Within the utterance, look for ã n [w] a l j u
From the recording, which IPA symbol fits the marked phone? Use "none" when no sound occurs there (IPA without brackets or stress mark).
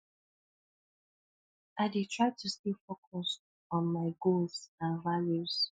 v